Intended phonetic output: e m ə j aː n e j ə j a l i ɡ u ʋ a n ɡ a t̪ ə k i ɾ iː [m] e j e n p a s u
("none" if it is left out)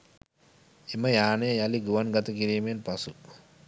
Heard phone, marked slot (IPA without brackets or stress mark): m